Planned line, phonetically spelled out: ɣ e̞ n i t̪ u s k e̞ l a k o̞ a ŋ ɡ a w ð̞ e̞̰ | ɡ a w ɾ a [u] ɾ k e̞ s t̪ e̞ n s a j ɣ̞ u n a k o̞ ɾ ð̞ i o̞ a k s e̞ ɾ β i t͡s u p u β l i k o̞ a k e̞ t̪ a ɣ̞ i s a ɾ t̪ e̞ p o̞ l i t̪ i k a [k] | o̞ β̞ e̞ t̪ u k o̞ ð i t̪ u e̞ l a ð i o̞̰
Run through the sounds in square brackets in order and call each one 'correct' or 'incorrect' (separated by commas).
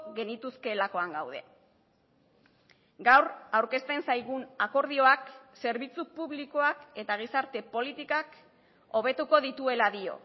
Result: incorrect, correct